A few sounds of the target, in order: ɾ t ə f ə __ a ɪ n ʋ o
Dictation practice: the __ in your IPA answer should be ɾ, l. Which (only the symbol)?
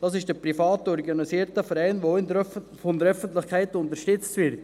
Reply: ɾ